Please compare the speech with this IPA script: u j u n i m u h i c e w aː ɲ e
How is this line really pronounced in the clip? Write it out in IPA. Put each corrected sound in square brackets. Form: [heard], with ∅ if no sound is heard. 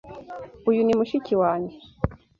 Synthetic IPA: u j u n i m u [ʃ] i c [i] w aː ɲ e